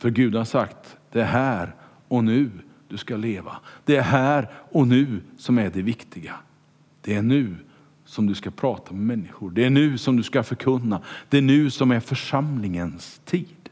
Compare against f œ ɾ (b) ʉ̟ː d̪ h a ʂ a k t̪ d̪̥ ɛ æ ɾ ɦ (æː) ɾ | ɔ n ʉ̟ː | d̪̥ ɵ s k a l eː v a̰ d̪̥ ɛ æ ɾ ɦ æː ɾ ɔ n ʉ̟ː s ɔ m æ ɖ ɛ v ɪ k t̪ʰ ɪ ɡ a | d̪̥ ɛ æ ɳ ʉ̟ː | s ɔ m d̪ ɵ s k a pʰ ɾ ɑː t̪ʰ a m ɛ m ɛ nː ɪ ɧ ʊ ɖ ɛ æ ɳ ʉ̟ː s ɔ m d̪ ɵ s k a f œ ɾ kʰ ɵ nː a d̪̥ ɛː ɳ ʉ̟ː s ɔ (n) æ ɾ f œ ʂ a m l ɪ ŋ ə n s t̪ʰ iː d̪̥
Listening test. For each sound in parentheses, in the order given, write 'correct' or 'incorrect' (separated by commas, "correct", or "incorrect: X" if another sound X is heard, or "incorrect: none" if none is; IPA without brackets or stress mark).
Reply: incorrect: ɡ, correct, incorrect: m